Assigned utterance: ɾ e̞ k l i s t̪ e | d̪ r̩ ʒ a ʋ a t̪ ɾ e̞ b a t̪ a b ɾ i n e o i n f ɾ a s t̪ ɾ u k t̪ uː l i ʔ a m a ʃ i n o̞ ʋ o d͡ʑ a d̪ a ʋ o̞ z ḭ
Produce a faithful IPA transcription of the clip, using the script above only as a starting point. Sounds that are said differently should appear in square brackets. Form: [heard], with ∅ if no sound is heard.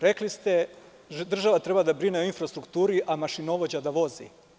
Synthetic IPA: ɾ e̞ k l i s t̪ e | d̪ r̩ ʒ a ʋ a t̪ ɾ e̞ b a [d̪] a b ɾ i n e o i n f ɾ a s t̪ ɾ u k t̪ uː [ɾ] i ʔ a m a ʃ i n o̞ ʋ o d͡ʑ a d̪ a ʋ o̞ z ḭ